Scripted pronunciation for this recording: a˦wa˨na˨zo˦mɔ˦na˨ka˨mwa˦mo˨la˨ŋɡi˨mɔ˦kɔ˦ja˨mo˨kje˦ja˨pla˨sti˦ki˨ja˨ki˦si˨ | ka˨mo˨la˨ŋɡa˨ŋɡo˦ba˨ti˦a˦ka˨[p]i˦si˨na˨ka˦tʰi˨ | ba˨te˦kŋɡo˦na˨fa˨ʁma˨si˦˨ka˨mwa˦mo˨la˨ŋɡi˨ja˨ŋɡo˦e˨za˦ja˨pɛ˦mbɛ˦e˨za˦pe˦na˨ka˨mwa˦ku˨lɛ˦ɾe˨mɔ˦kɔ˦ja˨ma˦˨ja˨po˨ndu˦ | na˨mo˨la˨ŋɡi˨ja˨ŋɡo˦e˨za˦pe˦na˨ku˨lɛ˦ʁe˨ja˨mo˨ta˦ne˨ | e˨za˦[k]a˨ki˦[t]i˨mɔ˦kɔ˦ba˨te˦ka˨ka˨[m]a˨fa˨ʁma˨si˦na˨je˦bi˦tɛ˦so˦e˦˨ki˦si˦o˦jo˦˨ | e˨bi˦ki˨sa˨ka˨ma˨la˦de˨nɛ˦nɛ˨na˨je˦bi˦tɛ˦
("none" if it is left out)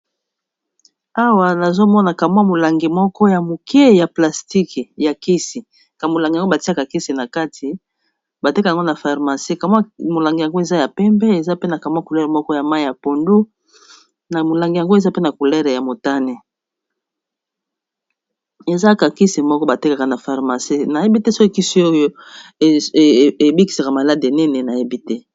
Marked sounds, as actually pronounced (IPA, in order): k, k, s, n

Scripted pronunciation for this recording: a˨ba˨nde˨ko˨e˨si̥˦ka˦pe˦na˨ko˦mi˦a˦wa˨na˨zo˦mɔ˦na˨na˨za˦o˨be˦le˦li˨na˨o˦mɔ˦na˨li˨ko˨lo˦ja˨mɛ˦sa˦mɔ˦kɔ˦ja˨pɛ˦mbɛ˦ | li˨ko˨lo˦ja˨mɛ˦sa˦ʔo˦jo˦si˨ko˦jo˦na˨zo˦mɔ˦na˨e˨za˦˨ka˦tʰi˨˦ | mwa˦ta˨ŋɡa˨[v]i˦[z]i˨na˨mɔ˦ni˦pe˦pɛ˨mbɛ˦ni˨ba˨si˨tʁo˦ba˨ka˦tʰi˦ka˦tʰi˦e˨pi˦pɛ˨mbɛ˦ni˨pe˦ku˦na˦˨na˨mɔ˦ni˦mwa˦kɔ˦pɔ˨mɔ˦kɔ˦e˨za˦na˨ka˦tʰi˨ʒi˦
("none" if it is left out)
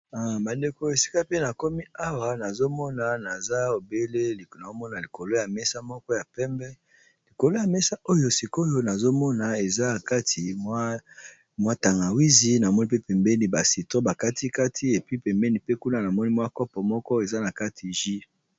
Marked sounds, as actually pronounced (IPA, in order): w, z

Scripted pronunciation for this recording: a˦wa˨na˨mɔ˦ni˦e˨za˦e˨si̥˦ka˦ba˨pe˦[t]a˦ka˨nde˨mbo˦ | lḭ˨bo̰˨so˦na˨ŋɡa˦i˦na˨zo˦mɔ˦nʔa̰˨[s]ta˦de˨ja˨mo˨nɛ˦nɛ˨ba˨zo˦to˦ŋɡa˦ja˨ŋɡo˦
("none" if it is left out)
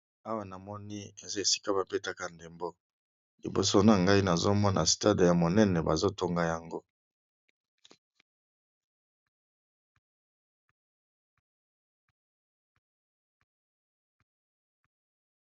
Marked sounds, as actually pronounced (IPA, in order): t, s

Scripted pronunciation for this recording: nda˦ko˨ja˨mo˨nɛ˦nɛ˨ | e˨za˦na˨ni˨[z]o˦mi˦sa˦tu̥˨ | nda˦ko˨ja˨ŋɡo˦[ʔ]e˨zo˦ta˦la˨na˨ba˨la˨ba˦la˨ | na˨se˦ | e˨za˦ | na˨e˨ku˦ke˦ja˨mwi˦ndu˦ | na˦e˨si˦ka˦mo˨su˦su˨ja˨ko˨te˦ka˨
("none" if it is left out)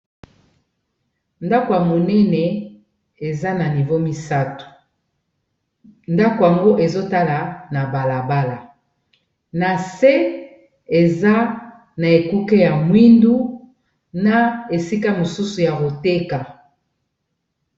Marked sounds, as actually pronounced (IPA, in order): v, ʔ

